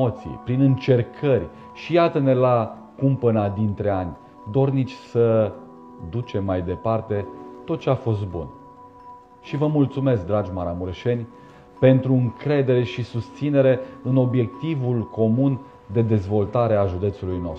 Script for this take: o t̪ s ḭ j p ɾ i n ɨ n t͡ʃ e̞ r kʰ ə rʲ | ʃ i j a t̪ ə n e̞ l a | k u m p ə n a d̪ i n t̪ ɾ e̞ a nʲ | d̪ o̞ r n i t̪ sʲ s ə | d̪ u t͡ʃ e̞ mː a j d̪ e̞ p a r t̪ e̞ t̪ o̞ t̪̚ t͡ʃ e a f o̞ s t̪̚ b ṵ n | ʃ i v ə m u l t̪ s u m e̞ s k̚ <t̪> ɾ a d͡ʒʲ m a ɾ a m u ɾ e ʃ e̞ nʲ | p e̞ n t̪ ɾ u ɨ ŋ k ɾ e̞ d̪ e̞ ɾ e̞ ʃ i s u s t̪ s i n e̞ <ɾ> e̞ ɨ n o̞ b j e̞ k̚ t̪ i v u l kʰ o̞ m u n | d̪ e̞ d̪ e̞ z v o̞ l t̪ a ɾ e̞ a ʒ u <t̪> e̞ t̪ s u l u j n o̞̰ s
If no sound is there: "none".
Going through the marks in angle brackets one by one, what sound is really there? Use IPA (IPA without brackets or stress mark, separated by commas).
d̪, ɾ, d̪